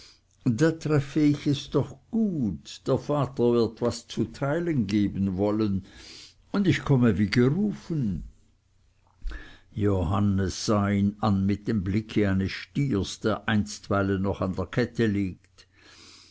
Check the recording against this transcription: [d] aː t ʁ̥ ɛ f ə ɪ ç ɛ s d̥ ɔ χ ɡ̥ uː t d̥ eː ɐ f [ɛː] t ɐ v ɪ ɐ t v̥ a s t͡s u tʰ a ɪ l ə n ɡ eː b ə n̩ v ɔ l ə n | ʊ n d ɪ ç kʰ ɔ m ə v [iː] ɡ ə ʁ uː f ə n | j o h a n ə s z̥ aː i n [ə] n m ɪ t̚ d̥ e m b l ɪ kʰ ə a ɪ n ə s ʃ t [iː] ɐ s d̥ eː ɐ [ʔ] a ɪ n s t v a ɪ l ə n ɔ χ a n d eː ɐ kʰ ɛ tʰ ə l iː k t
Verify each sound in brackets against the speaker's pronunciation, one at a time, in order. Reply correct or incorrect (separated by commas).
correct, incorrect, correct, incorrect, correct, correct